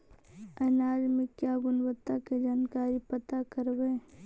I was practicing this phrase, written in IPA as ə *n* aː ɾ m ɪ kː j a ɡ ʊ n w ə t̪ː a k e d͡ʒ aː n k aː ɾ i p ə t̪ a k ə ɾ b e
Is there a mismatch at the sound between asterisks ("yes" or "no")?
no